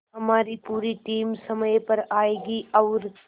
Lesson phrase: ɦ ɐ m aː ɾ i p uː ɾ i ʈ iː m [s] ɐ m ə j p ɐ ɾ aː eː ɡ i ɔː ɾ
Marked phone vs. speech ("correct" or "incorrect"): correct